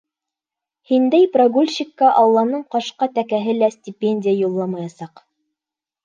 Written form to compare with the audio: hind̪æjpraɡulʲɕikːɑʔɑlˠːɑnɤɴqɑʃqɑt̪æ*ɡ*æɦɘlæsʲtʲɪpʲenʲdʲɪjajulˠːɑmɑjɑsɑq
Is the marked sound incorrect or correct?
incorrect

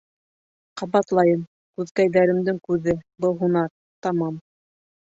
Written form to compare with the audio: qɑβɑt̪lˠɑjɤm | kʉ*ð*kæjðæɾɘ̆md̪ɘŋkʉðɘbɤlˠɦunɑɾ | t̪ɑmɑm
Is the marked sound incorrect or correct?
correct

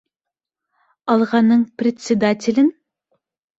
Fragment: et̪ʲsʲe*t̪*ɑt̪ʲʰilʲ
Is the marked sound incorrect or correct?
incorrect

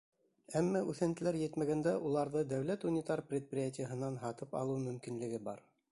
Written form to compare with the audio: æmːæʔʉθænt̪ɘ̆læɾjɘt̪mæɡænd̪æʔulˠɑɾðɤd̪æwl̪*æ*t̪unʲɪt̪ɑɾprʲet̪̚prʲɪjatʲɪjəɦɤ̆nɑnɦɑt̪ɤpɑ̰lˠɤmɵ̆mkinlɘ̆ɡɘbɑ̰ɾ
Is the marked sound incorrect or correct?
correct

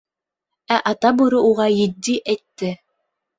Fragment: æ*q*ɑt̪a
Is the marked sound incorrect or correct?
incorrect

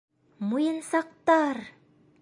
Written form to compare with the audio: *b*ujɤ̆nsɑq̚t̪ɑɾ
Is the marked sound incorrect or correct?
incorrect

